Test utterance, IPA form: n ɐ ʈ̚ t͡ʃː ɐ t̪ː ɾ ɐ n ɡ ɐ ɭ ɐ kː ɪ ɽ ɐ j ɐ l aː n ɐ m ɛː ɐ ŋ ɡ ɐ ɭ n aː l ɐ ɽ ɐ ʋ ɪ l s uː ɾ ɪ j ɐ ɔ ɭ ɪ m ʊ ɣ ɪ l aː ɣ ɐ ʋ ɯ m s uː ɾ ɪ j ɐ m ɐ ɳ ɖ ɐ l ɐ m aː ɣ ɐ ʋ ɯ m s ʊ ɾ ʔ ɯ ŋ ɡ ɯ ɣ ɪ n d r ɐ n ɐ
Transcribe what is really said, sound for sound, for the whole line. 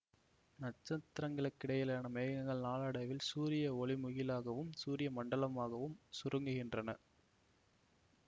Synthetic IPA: n ɐ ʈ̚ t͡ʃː ɐ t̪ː ɾ ɐ ŋ ɡ ɐ ɭ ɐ kː ɪ ɽ ɐ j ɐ l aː n ɐ m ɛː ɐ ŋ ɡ ɐ ɭ n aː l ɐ ɽ ɐ ʋ ɪ l s uː ɾ ɪ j ɐ ɔ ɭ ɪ m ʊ ɣ ɪ l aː ɣ ɐ ʋ ɯ m s uː ɾ ɪ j ɐ m ɐ ɳ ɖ ɐ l ɐ m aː ɣ ɐ ʋ ɯ m s ʊ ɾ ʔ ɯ ŋ ɡ ɯ ɣ ɪ n d r ɐ n ɐ